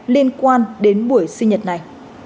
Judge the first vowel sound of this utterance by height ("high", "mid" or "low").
high